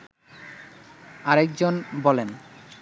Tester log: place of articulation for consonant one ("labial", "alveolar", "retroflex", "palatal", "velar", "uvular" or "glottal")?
alveolar